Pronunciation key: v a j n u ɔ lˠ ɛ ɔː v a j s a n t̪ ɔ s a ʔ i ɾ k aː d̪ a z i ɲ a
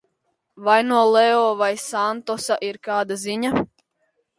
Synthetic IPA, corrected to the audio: v a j n u ɔ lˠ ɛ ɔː v a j s a n t̪ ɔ s a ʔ i ɾ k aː d̪ a z i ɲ a